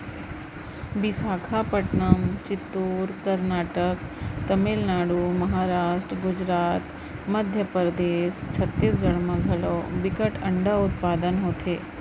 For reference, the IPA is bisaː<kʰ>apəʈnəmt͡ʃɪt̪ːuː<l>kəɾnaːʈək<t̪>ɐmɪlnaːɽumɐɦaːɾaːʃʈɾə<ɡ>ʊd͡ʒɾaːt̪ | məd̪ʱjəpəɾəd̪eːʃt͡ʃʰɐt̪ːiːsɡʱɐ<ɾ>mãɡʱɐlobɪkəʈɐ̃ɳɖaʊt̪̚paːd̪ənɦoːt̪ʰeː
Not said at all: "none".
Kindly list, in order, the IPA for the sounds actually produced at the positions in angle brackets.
kʰ, ɾ, t̪, ɡ, ɽ

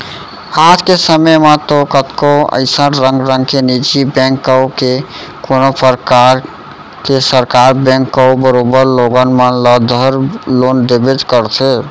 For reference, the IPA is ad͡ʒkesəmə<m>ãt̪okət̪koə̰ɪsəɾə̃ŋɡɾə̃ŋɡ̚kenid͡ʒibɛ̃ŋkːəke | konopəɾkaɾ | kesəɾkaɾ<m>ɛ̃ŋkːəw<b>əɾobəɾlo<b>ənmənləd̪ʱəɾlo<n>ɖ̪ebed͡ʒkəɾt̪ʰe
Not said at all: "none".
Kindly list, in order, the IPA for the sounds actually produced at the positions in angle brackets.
m, b, b, ɡ, n

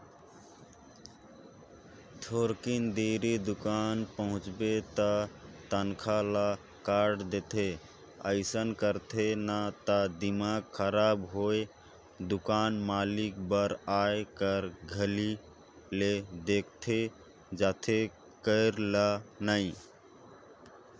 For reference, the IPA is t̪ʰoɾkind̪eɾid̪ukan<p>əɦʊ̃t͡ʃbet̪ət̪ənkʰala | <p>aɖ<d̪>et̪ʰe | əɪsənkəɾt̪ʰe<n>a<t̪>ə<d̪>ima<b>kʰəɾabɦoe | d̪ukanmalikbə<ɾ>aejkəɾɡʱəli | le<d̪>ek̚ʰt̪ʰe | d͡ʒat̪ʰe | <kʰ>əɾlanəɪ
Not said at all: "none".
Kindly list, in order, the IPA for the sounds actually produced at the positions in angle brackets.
p, k, d̪, n, t̪, d̪, ɡ, ɾ, d̪, k

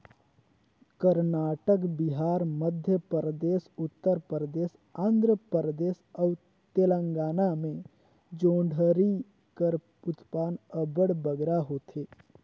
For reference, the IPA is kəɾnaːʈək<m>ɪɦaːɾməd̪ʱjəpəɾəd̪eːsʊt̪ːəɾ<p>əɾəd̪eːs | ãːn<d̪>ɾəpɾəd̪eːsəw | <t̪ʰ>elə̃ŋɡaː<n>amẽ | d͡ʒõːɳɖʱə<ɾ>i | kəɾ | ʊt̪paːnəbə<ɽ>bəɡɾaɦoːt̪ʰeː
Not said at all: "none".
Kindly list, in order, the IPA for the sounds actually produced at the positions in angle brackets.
b, p, d̪, t̪, n, ɾ, ɽ

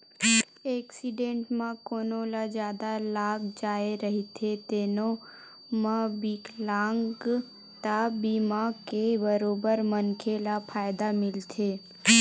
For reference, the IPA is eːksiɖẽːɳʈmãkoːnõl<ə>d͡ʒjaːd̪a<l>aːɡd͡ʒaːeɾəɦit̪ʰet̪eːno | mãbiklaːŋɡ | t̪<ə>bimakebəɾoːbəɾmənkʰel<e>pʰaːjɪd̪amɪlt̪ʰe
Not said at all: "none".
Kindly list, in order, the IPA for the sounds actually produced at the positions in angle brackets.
a, l, a, a

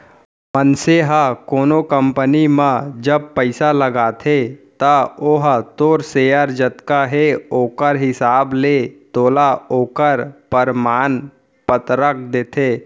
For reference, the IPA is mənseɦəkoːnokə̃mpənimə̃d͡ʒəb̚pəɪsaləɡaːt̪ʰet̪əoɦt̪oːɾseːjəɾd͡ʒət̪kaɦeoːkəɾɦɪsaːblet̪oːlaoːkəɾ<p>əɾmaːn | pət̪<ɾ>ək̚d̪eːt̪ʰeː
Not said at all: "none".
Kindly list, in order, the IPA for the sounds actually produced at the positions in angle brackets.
p, ɾ

